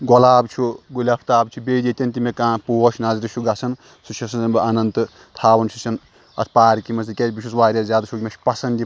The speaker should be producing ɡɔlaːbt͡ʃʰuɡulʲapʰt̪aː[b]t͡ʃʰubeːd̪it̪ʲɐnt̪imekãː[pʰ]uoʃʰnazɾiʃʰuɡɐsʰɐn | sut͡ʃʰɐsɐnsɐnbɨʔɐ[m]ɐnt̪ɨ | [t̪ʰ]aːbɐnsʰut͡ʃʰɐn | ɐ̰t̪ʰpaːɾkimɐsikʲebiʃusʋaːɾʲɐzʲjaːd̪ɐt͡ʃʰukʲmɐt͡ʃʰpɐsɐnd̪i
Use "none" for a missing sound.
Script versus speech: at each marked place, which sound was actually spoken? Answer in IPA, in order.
b, p, n, t̪ʰ

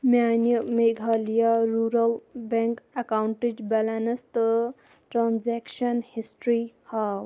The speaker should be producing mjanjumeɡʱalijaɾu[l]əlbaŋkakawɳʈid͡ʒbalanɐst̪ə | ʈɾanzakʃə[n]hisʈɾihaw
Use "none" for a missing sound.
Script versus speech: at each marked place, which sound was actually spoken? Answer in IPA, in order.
ɾ, n

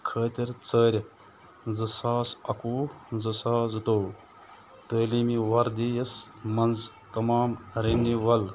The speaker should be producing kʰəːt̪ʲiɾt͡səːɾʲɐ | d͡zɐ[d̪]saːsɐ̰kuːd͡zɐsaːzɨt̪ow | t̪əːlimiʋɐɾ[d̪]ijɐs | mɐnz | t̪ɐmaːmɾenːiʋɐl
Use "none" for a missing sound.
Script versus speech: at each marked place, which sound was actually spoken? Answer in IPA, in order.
none, d̪

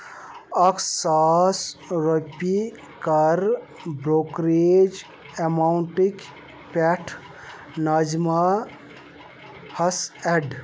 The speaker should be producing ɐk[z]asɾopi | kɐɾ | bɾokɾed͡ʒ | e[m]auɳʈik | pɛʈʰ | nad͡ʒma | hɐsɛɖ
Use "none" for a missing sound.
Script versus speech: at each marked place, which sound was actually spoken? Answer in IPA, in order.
s, m

